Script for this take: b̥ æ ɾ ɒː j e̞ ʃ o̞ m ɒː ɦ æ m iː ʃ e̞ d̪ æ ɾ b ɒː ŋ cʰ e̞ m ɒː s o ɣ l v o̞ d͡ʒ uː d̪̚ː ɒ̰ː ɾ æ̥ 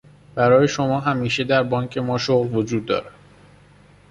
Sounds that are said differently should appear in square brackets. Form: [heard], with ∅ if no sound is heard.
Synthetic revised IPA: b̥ æ ɾ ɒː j e̞ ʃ o̞ m ɒː ɦ æ m iː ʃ e̞ d̪ æ ɾ b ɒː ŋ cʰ e̞ m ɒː [ʃ] o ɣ l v o̞ d͡ʒ uː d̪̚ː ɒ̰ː ɾ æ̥